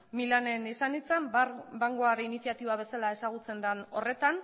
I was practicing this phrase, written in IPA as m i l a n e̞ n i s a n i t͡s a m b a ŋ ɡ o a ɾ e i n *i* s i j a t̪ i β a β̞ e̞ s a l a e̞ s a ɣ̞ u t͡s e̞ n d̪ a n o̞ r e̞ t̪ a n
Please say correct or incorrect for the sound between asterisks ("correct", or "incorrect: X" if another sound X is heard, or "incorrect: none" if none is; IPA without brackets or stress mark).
correct